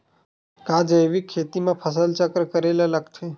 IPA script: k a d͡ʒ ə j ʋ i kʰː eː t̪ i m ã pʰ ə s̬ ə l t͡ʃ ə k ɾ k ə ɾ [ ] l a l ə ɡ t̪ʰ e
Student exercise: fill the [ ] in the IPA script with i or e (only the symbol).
e